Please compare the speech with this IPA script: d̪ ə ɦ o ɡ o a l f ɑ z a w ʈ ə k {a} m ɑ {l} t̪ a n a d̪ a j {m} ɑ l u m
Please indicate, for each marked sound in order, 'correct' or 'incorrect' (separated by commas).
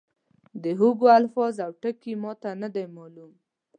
incorrect, incorrect, correct